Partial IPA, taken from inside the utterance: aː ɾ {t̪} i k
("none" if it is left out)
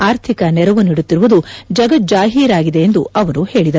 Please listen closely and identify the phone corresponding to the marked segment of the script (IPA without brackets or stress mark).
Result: t̪ʰ